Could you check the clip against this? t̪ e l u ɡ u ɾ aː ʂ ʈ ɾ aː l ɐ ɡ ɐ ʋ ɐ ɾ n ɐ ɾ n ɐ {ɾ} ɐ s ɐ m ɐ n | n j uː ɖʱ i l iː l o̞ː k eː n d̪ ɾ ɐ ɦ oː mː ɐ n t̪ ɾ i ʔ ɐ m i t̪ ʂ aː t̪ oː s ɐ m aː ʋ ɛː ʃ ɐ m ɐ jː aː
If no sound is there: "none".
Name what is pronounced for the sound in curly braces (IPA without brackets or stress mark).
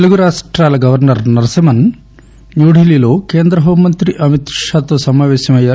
ɾ